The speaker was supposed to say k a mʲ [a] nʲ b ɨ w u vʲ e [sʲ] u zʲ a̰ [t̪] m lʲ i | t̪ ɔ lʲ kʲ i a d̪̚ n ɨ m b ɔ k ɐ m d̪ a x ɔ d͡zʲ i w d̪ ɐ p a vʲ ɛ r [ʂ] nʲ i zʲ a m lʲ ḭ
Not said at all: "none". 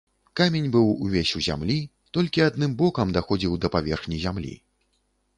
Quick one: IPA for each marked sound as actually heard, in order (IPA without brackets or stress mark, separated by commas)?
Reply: e, sʲ, none, x